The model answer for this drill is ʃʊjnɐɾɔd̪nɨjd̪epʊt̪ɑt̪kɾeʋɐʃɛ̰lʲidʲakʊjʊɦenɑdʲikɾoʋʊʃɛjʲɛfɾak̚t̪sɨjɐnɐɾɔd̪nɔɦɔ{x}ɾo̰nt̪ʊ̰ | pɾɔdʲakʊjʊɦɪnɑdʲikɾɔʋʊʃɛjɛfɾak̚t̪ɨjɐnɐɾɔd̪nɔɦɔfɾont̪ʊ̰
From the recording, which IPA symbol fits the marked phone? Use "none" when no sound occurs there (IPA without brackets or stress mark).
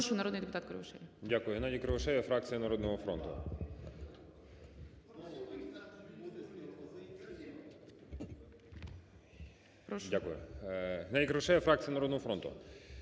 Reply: f